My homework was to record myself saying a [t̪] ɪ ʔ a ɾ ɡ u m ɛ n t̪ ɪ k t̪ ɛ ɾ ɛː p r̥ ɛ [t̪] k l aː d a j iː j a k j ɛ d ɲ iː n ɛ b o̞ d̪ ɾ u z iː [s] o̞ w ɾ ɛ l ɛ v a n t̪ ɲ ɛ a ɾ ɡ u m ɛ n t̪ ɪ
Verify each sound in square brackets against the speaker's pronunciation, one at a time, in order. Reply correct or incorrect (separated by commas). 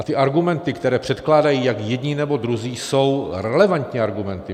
correct, correct, correct